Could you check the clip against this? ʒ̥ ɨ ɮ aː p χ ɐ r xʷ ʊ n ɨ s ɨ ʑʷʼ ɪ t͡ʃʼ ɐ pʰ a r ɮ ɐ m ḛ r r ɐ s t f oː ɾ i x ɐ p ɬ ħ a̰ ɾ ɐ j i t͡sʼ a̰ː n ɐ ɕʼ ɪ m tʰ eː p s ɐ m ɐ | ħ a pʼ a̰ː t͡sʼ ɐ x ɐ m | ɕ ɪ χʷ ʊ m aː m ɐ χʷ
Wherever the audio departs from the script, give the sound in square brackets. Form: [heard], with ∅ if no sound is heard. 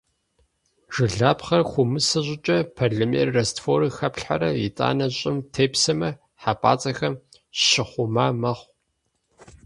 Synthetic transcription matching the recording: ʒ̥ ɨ ɮ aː p χ ɐ r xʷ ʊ [m] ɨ s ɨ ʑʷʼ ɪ t͡ʃʼ ɐ pʰ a r ɮ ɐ m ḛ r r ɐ s t f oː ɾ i x ɐ p ɬ ħ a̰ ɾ ɐ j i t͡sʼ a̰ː n ɐ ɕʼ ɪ m tʰ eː p s ɐ m ɐ | ħ a pʼ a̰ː t͡sʼ ɐ x ɐ m | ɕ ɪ χʷ ʊ m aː m ɐ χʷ